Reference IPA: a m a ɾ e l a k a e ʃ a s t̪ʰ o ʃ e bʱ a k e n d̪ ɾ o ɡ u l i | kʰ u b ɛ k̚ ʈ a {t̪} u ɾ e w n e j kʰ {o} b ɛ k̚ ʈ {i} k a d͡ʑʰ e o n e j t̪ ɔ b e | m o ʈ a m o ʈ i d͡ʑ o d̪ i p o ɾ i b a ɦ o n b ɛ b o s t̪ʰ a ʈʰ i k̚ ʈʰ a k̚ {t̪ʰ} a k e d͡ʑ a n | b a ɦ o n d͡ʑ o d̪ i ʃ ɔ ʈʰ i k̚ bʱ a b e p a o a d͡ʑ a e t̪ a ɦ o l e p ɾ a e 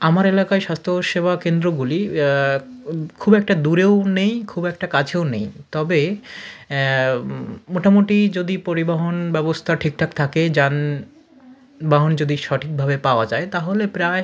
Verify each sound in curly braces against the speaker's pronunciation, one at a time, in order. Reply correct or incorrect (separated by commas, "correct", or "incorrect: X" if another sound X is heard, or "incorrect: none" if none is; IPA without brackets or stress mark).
incorrect: d̪, incorrect: u, incorrect: a, correct